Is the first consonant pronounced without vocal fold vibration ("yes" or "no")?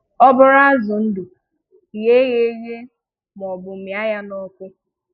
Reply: no